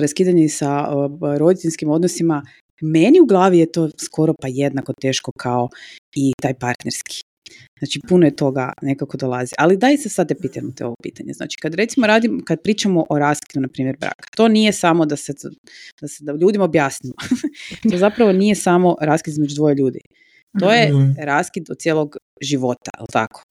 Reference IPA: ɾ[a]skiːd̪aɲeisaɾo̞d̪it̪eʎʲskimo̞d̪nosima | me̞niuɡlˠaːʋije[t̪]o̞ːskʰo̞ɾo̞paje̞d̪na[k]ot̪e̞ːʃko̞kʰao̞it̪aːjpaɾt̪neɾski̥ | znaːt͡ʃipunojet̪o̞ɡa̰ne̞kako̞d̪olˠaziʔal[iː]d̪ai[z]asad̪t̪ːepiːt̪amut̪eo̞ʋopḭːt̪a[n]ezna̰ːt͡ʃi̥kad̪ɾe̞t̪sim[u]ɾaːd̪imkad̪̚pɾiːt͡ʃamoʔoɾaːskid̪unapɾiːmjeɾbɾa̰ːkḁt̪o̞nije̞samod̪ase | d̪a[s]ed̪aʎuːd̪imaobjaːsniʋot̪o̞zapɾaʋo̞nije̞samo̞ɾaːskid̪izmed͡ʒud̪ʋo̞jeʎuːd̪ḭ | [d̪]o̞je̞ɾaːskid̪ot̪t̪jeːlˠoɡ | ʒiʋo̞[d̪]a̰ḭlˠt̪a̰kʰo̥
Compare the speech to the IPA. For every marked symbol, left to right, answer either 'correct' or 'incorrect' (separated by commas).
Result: correct, correct, correct, incorrect, incorrect, incorrect, incorrect, correct, incorrect, incorrect